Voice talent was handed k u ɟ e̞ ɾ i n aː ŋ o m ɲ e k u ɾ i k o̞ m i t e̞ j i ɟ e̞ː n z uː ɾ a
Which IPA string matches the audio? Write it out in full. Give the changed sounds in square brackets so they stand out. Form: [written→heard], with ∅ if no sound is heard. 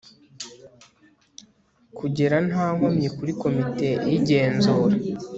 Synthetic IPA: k u ɟ e̞ ɾ [i→a] n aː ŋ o m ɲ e k u ɾ i k o̞ m i t e̞ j i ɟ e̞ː n z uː ɾ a